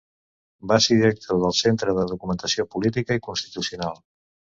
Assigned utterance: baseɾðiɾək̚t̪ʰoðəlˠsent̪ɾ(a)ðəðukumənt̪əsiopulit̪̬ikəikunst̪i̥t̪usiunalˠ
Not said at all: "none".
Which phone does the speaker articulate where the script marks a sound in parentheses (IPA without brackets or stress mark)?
ə